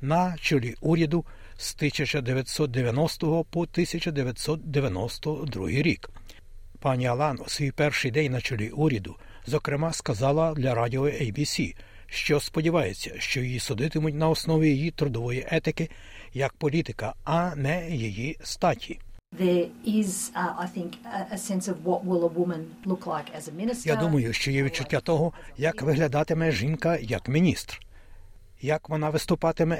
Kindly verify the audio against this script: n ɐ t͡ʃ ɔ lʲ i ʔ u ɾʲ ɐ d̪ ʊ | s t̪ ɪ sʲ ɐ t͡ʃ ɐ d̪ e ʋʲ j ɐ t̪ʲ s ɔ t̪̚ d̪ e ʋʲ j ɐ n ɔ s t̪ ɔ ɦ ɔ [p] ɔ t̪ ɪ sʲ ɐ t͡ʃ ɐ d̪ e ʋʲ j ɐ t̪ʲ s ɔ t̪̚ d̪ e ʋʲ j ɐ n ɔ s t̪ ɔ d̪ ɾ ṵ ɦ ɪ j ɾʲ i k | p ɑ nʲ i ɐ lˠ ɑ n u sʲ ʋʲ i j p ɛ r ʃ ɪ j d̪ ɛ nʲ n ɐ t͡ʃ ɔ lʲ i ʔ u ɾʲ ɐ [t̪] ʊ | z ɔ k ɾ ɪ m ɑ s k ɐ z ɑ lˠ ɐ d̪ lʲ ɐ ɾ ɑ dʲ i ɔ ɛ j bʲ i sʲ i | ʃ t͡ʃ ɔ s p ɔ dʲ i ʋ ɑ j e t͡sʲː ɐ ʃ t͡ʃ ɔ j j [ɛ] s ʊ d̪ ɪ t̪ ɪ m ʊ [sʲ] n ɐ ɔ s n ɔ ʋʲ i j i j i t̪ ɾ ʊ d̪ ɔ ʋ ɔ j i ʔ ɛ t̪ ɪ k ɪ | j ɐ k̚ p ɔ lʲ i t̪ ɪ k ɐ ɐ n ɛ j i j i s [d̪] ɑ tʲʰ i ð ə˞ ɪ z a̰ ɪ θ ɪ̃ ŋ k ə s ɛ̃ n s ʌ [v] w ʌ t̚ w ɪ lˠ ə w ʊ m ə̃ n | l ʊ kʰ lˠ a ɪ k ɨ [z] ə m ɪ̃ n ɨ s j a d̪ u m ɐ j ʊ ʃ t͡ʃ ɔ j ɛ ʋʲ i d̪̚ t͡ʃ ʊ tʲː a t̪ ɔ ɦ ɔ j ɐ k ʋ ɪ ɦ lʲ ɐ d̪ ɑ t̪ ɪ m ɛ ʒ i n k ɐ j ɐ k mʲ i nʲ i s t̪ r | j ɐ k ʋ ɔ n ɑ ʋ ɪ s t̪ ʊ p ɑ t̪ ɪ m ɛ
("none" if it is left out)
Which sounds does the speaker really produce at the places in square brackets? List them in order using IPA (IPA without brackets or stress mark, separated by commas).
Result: p, d̪, i, tʲ, t̪, v, z